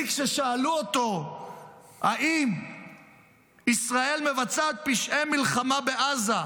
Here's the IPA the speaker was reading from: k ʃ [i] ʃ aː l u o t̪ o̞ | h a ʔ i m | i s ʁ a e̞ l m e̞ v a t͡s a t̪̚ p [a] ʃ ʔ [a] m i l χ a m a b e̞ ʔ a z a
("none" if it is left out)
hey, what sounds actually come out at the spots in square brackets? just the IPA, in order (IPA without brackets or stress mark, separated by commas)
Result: e, i, e